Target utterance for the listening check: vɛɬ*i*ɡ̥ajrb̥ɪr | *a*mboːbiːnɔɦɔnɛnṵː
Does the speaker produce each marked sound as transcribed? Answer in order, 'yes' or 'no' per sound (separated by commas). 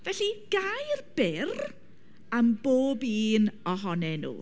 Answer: yes, yes